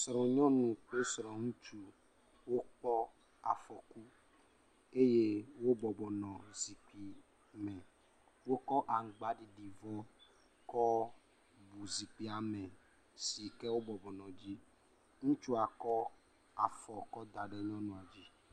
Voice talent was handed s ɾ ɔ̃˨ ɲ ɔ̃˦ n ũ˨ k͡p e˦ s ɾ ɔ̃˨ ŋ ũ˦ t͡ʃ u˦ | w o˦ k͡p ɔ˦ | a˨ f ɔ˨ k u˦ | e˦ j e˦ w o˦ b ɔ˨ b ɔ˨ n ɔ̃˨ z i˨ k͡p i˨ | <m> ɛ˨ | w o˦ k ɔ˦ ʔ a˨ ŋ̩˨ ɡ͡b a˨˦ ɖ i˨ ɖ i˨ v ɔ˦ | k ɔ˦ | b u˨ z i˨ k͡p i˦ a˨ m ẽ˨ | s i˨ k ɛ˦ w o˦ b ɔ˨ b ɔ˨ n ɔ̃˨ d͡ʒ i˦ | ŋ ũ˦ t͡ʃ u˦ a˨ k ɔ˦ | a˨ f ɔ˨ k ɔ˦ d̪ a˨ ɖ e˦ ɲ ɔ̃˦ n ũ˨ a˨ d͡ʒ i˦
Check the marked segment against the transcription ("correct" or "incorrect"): correct